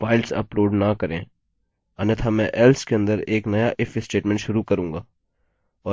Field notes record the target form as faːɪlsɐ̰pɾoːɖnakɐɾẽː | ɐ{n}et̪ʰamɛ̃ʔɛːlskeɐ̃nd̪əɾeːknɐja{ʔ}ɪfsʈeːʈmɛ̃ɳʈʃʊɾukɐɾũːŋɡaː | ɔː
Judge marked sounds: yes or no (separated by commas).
yes, yes